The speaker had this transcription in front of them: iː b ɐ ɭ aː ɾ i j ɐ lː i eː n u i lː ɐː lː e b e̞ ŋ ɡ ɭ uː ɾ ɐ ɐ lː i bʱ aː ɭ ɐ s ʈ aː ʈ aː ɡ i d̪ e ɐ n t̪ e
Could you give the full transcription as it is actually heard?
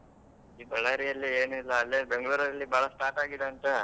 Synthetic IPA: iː b ɐ ɭ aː ɾ i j ɐ lː i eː n u i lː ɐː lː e b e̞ ŋ ɡ ɭ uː ɾ ɐ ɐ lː i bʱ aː ɭ ɐ s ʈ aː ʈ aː ɡ i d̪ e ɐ n t̪ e